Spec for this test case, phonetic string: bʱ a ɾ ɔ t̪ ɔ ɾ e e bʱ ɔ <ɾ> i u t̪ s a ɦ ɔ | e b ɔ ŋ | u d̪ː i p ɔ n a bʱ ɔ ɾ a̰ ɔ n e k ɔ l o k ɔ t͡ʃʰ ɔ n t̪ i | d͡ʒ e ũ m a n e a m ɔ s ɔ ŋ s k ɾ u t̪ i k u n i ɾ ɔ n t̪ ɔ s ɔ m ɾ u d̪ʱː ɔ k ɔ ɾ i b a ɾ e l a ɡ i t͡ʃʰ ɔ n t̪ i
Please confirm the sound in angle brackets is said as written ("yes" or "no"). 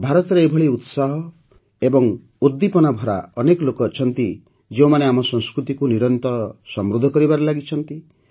no